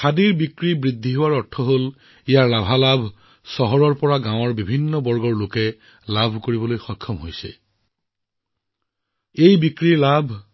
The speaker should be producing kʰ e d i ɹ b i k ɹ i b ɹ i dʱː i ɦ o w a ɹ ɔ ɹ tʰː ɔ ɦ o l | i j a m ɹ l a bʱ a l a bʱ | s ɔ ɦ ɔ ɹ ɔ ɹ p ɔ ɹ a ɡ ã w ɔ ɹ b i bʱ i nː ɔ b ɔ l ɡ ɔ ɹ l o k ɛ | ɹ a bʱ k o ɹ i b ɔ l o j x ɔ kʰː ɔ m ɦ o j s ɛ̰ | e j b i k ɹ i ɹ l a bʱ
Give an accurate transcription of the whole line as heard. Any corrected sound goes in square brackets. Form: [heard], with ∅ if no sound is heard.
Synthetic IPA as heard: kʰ [a] d i ɹ b i k ɹ i b ɹ i dʱː i ɦ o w a ɹ ɔ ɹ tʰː ɔ ɦ o l | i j a [∅] ɹ l a bʱ a l a bʱ | s ɔ ɦ ɔ ɹ ɔ ɹ p ɔ ɹ a ɡ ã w ɔ ɹ b i bʱ i nː ɔ b ɔ [ɹ] ɡ ɔ ɹ l o k ɛ | [l] a bʱ k o ɹ i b ɔ l o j x ɔ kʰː ɔ m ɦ o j s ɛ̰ | e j b i k ɹ i ɹ l a bʱ